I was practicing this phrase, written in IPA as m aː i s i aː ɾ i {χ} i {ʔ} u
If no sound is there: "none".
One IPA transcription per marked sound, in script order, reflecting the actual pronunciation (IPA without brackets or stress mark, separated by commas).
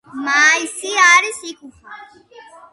s, k